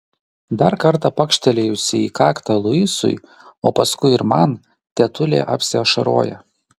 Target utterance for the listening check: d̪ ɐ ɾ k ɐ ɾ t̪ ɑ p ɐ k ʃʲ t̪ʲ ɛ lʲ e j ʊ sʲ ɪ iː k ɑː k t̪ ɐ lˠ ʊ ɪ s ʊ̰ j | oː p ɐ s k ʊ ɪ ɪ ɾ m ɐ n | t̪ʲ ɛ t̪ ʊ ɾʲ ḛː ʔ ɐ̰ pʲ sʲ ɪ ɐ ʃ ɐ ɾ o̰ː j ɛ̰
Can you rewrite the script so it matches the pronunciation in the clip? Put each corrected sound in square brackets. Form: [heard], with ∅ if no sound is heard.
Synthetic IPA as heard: d̪ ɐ ɾ k ɐ ɾ t̪ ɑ p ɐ k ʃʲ t̪ʲ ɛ lʲ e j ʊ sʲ ɪ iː k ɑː k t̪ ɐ lˠ ʊ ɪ s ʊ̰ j | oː p ɐ s k ʊ ɪ ɪ ɾ m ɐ n | t̪ʲ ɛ t̪ ʊ [lʲ] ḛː ʔ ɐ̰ pʲ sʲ ɪ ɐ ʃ ɐ ɾ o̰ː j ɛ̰